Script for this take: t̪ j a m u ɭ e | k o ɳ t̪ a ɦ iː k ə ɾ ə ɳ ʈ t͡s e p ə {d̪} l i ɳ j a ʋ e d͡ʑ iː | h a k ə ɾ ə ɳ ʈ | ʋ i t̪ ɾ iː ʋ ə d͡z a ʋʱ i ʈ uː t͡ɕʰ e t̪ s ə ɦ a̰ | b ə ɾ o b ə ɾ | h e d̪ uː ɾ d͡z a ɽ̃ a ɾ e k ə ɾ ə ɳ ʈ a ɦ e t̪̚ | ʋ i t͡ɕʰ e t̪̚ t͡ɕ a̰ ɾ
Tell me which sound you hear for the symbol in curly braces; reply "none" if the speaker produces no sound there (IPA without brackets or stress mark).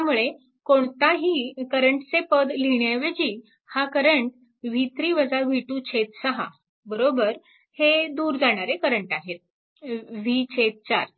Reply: d̪